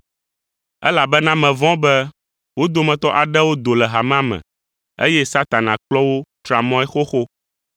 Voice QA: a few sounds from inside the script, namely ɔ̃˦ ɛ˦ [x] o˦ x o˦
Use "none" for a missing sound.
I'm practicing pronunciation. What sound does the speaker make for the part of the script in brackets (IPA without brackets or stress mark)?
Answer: x